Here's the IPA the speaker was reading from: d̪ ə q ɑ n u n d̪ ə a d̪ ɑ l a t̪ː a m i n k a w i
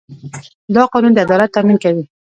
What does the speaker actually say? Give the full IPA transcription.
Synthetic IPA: d̪ ɑ q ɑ n u n d̪ ə a d̪ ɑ l a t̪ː a m i n k a w i

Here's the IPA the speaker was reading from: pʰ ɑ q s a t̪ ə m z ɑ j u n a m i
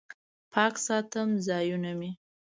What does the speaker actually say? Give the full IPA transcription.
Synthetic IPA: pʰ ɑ k s ɑ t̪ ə m z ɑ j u n a m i

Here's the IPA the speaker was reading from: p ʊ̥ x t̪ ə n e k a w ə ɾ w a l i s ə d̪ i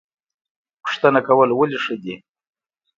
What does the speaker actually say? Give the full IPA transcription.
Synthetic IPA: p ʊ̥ ʂ t̪ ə n a k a w ə l w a l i ʂ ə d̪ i

